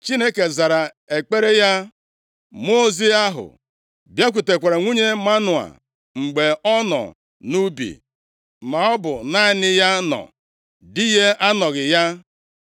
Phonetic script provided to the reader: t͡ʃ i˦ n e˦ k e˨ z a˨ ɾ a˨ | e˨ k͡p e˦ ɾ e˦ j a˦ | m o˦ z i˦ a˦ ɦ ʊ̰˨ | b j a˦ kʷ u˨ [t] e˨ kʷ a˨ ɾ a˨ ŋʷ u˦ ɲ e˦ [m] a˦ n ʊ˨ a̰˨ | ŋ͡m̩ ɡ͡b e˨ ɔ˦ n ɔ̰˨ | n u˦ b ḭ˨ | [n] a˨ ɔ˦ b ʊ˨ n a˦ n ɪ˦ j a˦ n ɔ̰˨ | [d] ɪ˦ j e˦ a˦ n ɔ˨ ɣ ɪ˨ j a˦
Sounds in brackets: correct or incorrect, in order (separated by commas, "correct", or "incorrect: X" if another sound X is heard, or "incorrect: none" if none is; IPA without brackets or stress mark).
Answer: correct, correct, incorrect: m, correct